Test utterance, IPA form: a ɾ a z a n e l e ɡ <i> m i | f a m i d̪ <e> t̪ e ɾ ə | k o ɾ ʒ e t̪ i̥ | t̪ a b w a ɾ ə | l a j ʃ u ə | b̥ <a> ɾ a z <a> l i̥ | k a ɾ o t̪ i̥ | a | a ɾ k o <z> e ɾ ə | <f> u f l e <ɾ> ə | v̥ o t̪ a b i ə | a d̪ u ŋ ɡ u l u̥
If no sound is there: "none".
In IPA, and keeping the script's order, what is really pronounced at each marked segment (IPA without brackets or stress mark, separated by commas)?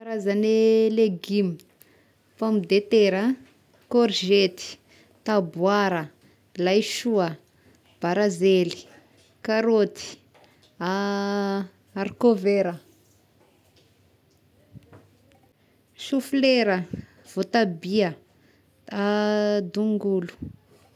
i, e, a, e, v, ʃ, ɾ